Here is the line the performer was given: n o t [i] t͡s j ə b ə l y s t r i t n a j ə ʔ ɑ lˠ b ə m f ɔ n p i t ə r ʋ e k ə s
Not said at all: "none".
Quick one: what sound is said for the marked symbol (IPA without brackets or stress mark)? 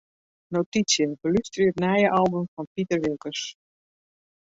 i